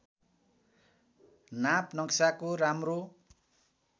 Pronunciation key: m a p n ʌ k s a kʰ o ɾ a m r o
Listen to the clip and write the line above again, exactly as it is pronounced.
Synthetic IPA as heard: n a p n ʌ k s a k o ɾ a m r o

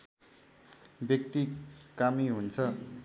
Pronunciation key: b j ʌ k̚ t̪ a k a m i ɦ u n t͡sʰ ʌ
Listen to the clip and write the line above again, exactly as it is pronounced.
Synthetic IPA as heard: b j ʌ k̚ t̪ i k a m i ɦ u n t͡sʰ ʌ

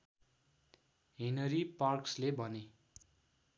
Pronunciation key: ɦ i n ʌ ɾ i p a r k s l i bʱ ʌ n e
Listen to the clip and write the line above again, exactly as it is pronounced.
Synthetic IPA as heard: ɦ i n ʌ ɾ i p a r k s l e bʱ ʌ n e

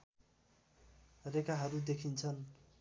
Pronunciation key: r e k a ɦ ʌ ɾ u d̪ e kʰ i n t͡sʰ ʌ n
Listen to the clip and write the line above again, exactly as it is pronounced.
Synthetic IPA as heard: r e k a ɦ ʌ ɾ u d̪ e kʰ i n t͡sʰ ʌ n

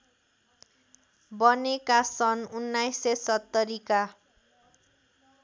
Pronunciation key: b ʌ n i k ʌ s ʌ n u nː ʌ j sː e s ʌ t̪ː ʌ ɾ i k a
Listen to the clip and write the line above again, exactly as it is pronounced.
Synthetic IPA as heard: b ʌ n e k a s ʌ n u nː a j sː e s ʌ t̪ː ʌ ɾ i k a

